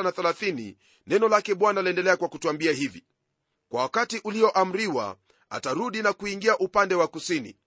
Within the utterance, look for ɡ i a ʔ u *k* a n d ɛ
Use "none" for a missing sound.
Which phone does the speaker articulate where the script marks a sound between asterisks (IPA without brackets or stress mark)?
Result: p